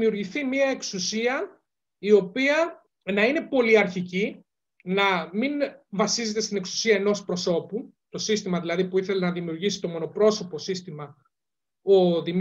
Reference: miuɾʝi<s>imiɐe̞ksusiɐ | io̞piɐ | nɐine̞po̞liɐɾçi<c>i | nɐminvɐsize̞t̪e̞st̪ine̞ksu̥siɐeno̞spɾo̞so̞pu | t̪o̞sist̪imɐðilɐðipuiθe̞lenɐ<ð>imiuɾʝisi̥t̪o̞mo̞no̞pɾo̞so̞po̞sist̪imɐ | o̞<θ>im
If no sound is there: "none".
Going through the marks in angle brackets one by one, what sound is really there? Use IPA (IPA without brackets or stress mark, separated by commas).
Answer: θ, c, ð, ð